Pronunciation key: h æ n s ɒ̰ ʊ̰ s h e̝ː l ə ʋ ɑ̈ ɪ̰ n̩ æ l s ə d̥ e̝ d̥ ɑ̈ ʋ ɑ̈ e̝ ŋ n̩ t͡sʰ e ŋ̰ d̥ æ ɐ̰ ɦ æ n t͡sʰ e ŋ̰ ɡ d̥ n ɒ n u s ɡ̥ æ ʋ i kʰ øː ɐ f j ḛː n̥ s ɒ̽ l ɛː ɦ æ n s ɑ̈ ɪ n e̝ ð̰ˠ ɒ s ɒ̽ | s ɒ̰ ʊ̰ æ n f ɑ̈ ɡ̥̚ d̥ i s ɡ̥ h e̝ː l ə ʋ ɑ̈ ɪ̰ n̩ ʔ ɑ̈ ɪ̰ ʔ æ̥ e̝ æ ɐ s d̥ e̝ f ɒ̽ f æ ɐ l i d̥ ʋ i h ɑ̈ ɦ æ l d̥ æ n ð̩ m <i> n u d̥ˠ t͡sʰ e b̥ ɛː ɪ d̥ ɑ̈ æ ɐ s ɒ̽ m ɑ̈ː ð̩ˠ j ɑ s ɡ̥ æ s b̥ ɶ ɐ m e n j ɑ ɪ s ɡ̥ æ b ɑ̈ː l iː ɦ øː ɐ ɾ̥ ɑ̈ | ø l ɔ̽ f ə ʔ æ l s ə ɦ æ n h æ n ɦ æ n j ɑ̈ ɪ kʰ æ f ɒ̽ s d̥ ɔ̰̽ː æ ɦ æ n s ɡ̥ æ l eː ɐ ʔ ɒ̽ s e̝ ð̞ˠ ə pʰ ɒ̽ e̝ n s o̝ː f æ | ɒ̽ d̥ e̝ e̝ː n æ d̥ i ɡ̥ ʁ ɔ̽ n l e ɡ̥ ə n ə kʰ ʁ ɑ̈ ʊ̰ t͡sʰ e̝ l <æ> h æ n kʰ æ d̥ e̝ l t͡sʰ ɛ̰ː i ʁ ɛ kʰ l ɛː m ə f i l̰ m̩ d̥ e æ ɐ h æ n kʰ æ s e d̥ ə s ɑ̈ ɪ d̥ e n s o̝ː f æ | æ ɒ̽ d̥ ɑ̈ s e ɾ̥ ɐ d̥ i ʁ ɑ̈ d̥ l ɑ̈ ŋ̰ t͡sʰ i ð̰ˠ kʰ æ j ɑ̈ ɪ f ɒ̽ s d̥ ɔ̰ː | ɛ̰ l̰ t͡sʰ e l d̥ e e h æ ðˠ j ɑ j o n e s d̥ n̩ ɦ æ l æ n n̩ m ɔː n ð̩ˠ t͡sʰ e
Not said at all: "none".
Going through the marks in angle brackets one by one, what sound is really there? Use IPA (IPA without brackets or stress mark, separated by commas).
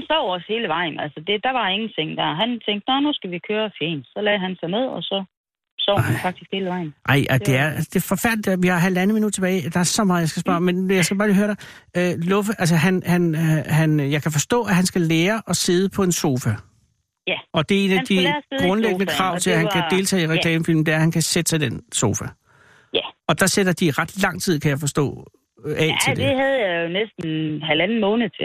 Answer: i, æ